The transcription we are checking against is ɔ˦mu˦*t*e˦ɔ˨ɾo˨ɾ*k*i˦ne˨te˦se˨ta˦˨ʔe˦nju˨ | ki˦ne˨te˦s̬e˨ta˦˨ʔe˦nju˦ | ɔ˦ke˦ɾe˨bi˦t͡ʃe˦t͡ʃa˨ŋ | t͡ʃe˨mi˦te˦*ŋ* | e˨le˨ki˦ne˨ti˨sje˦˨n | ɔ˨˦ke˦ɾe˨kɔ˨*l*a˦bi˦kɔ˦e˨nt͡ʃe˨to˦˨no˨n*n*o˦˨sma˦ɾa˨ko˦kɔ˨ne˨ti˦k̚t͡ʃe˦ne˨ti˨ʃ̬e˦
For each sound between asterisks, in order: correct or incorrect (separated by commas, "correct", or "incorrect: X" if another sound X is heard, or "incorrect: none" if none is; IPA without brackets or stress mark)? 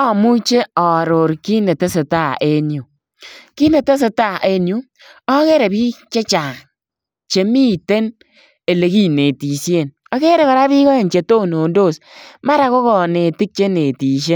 incorrect: t͡ʃ, correct, incorrect: n, incorrect: ɾ, incorrect: d